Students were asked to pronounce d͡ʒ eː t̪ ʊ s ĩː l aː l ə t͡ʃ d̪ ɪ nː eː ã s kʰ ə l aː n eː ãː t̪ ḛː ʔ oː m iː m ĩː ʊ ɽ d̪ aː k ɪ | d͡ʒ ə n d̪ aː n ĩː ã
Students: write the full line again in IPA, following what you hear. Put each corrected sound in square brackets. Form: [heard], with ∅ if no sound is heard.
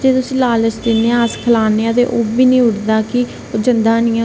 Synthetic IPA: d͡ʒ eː t̪ ʊ s ĩː l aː l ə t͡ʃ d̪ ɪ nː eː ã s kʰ ə l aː n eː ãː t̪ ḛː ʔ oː [b] iː [n] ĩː ʊ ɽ d̪ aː k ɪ | d͡ʒ ə n d̪ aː n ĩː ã